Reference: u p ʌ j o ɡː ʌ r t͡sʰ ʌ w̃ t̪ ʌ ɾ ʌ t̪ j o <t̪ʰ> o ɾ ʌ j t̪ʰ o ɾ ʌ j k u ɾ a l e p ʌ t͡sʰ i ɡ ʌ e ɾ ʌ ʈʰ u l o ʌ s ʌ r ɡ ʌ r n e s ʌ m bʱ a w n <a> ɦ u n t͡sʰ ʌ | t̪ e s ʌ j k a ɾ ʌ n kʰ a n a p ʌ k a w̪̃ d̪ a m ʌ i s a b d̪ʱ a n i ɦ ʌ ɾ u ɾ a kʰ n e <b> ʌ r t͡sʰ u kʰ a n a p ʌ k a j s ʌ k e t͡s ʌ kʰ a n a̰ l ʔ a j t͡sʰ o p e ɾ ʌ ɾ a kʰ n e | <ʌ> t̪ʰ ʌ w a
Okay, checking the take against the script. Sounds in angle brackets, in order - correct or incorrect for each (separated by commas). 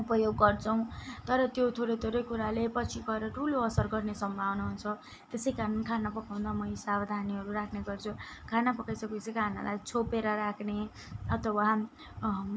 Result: correct, correct, incorrect, correct